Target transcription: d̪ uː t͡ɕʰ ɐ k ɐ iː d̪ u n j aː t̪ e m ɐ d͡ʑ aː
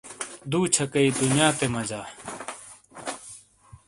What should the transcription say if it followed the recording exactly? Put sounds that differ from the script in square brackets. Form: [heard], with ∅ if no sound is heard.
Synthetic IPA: d̪ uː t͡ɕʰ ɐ k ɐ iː d̪ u n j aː t̪ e m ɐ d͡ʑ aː